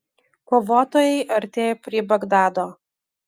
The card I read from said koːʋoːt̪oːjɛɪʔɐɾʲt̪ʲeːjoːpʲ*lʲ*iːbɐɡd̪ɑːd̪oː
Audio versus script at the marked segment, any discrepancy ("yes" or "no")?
yes